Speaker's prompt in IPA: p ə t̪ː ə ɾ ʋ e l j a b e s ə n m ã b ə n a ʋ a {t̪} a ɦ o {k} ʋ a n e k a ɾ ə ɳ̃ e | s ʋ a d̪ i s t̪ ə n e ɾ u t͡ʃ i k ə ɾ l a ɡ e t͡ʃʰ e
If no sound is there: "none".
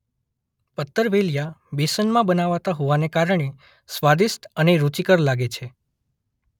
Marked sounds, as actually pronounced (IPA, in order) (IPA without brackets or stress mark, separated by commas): t̪, none